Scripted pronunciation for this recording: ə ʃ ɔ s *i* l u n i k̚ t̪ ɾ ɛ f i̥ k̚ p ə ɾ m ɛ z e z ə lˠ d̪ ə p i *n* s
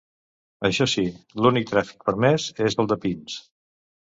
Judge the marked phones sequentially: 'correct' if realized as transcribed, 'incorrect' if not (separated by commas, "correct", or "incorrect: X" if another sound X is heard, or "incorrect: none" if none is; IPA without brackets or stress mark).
correct, correct